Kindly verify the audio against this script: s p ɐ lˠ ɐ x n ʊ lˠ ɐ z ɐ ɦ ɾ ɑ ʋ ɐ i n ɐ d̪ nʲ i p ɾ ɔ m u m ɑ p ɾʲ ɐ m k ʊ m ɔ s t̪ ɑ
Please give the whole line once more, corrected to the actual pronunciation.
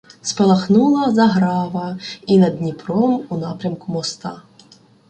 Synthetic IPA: s p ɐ lˠ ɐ x n u lˠ ɐ z ɐ ɦ ɾ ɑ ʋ ɐ i n ɐ d̪ nʲ i p ɾ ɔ m u n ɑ p ɾʲ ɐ m k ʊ m ɔ s t̪ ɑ